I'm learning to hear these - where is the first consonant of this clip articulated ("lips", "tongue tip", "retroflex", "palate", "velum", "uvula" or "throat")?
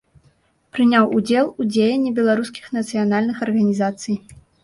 lips